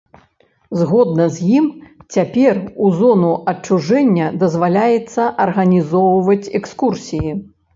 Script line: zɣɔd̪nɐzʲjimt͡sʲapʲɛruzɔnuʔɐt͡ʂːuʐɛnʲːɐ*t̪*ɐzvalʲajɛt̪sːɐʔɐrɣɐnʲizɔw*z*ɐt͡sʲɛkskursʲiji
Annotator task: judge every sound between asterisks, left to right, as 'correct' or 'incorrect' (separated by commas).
incorrect, incorrect